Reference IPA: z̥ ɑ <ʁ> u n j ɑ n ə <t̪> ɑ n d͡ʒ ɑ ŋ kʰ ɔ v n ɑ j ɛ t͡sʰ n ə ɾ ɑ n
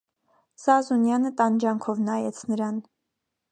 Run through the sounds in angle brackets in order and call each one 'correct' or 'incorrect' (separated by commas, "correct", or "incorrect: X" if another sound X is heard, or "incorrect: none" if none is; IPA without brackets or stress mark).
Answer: incorrect: z, correct